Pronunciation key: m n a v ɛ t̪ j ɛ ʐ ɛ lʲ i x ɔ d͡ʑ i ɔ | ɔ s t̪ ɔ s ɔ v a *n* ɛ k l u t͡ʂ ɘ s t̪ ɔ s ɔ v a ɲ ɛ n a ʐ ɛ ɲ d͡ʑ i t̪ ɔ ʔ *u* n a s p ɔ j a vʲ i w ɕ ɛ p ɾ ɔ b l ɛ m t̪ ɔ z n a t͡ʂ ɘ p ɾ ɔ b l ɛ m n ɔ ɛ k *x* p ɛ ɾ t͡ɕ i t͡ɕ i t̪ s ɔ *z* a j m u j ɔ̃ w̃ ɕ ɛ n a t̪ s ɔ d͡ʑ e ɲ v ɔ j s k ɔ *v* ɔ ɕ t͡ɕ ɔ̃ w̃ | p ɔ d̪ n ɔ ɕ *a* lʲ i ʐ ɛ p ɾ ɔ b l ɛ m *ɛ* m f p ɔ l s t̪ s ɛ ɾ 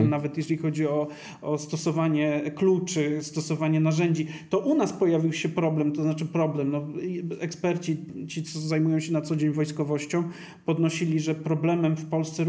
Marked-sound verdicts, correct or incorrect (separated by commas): incorrect, correct, incorrect, correct, correct, incorrect, correct